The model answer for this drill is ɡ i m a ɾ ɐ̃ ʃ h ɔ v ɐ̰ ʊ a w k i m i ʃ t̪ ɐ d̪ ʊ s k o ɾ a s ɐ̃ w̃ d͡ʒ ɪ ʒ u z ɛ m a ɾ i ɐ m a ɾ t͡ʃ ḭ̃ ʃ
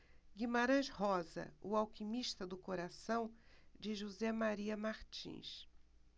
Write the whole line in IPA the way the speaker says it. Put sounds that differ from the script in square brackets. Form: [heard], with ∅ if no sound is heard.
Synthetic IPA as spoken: ɡ i m a ɾ ɐ̃ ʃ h ɔ [z] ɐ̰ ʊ a w k i m i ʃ t̪ ɐ d̪ ʊ [∅] k o ɾ a s ɐ̃ w̃ d͡ʒ ɪ ʒ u z ɛ m a ɾ i ɐ m a ɾ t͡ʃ ḭ̃ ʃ